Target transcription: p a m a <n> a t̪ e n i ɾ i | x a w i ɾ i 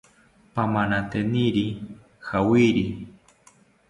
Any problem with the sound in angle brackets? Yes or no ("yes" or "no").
no